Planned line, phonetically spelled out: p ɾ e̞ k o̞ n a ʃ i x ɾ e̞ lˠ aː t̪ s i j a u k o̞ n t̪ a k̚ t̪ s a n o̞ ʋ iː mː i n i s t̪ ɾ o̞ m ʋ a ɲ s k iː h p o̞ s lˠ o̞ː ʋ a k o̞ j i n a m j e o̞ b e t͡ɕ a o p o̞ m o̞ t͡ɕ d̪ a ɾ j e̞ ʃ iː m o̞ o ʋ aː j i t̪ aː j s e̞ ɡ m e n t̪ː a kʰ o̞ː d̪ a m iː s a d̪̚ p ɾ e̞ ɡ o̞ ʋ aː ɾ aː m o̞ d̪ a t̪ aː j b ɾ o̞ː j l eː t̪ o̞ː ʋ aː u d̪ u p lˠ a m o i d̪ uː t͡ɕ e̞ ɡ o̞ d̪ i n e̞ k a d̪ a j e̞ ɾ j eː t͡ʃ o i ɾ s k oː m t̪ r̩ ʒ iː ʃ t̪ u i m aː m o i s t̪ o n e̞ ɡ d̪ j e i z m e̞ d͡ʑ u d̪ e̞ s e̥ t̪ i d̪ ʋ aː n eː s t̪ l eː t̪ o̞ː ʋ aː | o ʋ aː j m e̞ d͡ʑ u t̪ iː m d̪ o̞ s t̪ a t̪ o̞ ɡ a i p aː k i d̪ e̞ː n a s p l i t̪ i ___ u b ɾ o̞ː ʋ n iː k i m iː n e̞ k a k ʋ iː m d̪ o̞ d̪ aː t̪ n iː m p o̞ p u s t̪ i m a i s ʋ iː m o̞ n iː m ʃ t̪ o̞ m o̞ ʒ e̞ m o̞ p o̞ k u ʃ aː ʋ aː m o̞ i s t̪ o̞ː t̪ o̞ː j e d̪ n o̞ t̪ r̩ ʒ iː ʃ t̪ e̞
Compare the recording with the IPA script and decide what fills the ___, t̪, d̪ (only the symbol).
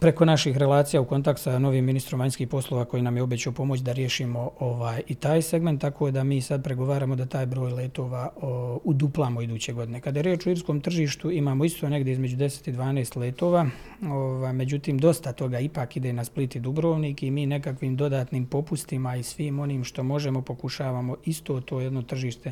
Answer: d̪